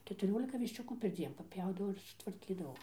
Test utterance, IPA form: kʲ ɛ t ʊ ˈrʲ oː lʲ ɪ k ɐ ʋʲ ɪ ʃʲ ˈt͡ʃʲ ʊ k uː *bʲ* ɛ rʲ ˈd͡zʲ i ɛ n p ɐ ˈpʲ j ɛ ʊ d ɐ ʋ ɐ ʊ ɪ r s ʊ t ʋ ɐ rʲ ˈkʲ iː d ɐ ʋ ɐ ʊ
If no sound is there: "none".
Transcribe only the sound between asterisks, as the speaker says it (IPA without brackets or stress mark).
pʲ